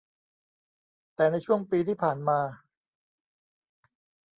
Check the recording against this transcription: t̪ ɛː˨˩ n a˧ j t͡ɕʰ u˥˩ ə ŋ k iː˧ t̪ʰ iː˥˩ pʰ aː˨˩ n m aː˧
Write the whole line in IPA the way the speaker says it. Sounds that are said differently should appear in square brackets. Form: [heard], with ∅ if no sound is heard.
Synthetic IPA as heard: t̪ ɛː˨˩ n a˧ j t͡ɕʰ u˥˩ ə ŋ [p] iː˧ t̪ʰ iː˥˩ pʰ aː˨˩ n m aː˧